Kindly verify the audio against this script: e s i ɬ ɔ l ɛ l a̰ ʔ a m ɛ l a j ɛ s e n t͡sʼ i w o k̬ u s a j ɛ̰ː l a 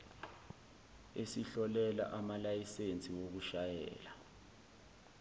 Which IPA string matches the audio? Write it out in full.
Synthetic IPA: e s i ɬ ɔ l ɛ l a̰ ʔ a m a l a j i s e n t͡sʼ i w o k̬ u ʃ a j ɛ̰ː l a

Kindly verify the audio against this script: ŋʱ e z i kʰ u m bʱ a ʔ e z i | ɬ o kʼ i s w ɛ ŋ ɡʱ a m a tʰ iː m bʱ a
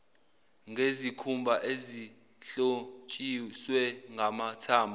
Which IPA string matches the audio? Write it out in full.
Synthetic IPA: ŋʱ e z i kʰ u m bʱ a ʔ e z i | ɬ o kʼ i s w ɛ ŋ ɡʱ a m a tʰ aː m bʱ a

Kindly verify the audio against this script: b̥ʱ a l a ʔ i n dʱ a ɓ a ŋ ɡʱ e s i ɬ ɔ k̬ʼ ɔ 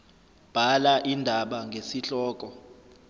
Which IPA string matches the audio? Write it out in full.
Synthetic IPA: b̥ʱ a l a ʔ i n dʱ a ɓ a ŋ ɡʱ e s i ɬ ɔː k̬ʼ ɔ

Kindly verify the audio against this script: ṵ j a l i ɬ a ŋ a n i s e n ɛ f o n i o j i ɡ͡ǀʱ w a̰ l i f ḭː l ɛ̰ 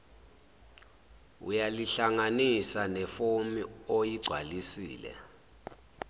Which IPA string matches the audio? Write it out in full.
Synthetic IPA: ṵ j a l i ɬ a ŋ a n i s a n ɛ f o m i o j i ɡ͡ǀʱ w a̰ l i s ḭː l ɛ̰

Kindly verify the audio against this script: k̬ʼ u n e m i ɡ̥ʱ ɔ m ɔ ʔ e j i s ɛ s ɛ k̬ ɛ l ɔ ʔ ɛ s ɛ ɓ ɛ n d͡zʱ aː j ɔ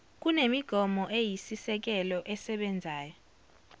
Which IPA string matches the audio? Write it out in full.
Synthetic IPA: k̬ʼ u n e m i ɡ̥ʱ ɔ m ɔ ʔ e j i s i s ɛ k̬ ɛ l ɔ ʔ ɛ s ɛ ɓ ɛ n d͡zʱ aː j ɔ

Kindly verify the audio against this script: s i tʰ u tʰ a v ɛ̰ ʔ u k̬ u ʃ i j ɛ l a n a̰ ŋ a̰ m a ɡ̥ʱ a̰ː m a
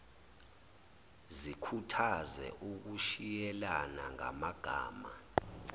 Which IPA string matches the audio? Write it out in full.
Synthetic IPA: z i kʰ u tʰ a z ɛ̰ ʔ u k̬ u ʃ i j ɛ l a n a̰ ŋ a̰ m a ɡ̥ʱ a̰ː m a

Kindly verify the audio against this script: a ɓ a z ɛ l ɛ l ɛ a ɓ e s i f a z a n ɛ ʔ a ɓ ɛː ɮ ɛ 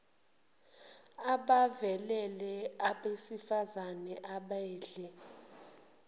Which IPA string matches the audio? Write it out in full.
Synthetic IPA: a ɓ a v ɛ l ɛ l ɛ a ɓ e s i f a z a n ɛ ʔ a ɓ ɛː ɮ ɛ

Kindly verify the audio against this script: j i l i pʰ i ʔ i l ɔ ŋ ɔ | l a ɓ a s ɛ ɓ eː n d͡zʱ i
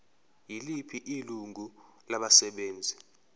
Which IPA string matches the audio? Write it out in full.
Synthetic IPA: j i l i pʰ i ʔ i l u ŋ u | l a ɓ a s ɛ ɓ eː n d͡zʱ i

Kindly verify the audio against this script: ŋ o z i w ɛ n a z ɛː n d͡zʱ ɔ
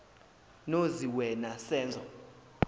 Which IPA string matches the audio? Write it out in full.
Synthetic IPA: n o z i w ɛ n a s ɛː n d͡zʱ ɔ

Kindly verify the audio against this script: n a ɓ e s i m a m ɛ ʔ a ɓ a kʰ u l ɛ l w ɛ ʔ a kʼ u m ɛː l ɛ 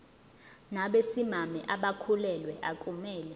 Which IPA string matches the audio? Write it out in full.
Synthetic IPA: n a ɓ e s i m a m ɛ ʔ a ɓ a kʰ u l ɛ l w ɛ ʔ a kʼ u m ɛː l ɛ

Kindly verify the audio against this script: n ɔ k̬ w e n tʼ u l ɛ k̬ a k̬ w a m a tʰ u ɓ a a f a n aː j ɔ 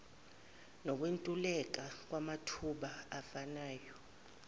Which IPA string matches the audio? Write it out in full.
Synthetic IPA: n ɔ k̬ w e n tʼ u l ɛ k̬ a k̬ w a m a tʰ u ɓ a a f a n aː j ɔ

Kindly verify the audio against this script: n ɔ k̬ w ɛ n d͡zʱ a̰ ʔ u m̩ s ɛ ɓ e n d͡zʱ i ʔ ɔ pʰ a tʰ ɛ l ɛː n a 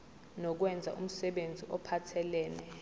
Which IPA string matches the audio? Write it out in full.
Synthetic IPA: n ɔ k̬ w ɛ n d͡zʱ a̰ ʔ u m̩ s ɛ ɓ e n d͡zʱ i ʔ ɔ pʰ a tʰ ɛ l ɛː n ɛ

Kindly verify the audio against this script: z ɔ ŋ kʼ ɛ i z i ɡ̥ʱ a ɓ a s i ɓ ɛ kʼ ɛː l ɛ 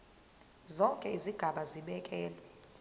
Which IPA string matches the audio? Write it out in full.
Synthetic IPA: z ɔ ŋ kʼ ɛ i z i ɡ̥ʱ a ɓ a z i ɓ ɛ kʼ ɛː l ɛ

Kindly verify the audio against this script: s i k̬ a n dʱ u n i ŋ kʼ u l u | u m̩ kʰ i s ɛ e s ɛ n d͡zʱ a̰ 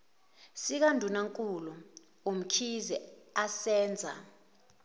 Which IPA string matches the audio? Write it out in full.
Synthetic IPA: s i k̬ a n dʱ u n a ŋ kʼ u l u | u m̩ kʰ i z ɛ a s ɛː n d͡zʱ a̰

